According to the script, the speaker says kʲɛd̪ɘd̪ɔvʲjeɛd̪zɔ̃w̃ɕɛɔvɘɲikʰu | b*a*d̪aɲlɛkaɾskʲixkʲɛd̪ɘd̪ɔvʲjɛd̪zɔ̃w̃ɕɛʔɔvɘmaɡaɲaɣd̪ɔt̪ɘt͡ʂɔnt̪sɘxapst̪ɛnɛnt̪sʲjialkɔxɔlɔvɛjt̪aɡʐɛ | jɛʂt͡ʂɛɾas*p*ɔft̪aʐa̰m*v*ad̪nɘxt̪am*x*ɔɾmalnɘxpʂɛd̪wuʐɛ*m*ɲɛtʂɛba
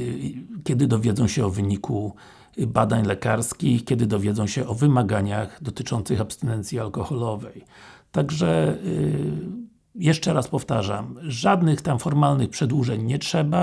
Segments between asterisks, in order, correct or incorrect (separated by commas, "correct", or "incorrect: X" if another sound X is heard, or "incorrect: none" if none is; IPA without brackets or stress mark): correct, correct, incorrect: ʐ, incorrect: f, incorrect: ɲ